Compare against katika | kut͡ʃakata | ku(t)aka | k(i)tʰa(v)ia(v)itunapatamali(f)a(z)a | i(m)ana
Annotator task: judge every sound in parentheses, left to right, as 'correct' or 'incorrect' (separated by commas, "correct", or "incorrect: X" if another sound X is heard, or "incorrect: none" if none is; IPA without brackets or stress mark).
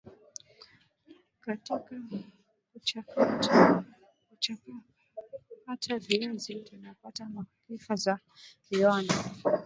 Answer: incorrect: t͡ʃ, incorrect: a, correct, incorrect: z, correct, correct, incorrect: none